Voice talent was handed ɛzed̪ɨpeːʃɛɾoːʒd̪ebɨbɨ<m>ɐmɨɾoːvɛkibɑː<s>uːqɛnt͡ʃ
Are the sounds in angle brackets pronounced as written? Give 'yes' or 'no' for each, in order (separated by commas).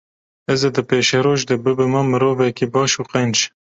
yes, no